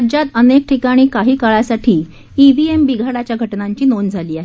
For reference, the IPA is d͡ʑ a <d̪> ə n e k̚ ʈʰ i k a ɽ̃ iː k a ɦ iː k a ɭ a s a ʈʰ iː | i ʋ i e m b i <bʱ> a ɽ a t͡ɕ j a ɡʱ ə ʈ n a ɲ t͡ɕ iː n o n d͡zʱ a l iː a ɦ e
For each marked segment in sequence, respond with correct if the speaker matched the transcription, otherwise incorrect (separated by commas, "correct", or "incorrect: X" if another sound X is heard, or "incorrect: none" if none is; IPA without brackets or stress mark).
incorrect: t̪, incorrect: ɡʱ